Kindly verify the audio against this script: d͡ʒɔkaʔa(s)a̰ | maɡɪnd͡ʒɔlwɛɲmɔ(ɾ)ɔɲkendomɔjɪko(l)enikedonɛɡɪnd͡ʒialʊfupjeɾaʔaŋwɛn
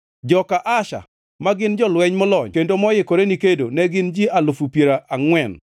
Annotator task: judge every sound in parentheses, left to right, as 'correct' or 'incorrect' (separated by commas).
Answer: incorrect, incorrect, incorrect